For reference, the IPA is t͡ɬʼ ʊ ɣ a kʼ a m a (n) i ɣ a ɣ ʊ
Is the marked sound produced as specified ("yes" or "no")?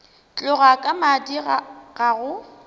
no